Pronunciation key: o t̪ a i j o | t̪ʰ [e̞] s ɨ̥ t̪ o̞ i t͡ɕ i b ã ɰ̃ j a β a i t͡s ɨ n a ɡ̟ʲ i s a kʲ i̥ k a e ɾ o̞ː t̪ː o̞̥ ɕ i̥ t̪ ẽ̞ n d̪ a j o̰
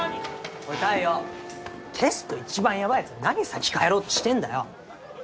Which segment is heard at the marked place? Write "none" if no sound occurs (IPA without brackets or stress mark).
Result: e̞